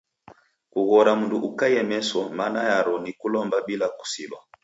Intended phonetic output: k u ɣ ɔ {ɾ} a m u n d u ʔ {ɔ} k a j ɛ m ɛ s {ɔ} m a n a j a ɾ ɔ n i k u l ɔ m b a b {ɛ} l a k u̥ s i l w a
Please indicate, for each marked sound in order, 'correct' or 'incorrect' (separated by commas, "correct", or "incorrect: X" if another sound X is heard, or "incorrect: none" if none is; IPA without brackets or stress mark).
correct, incorrect: u, correct, incorrect: i